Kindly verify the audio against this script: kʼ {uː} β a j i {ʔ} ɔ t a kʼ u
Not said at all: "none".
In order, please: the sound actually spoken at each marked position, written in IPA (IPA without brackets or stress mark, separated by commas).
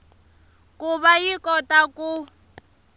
u, k